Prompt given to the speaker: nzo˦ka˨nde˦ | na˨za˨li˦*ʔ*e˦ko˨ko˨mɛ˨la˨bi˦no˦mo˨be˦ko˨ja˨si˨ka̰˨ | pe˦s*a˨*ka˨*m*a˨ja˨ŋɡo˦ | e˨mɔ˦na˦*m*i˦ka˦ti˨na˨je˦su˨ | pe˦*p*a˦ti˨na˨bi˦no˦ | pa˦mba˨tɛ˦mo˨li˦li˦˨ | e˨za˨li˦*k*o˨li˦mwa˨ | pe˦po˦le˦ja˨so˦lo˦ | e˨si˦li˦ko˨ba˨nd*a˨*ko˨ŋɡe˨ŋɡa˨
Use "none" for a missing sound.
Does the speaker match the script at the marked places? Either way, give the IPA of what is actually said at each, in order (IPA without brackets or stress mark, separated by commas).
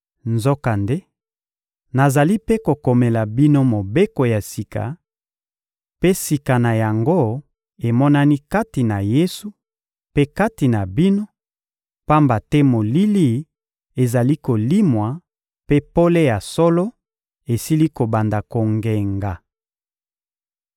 p, i˨, n, n, k, k, a˨